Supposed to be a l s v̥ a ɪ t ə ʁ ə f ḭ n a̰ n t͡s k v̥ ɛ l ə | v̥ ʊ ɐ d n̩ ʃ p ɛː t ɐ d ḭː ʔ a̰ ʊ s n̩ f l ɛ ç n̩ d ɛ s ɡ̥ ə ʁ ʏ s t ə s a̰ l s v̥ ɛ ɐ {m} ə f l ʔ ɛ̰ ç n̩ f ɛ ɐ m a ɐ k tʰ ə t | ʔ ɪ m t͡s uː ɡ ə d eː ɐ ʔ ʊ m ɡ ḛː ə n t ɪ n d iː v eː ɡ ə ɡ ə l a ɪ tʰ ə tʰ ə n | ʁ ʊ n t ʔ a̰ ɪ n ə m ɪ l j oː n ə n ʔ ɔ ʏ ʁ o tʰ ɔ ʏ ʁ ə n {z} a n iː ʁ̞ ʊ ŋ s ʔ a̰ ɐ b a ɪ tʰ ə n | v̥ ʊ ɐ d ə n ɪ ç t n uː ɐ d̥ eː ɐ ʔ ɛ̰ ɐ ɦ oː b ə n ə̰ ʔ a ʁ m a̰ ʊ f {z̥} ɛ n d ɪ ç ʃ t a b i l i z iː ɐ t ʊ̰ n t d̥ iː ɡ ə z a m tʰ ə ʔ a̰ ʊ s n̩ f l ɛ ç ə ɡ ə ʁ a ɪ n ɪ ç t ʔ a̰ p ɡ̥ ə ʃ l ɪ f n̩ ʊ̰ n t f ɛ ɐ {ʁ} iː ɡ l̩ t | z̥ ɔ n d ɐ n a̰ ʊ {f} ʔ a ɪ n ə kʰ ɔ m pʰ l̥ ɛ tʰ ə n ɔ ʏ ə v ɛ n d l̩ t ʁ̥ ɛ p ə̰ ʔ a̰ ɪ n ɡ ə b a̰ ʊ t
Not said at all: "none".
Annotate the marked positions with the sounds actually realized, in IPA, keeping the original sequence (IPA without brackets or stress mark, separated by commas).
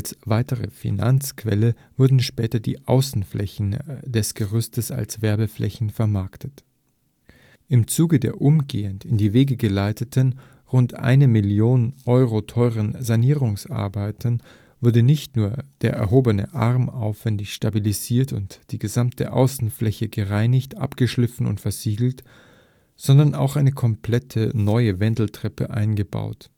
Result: b, z, v̥, z, x